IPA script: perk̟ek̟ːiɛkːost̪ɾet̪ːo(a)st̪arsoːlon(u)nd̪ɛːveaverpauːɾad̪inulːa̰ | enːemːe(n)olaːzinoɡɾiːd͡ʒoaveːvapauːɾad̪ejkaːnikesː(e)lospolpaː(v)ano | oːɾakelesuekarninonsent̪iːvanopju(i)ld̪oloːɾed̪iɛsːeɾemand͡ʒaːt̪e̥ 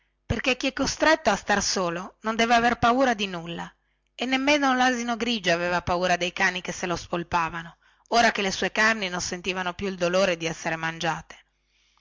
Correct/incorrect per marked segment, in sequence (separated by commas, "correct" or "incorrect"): correct, incorrect, correct, correct, correct, correct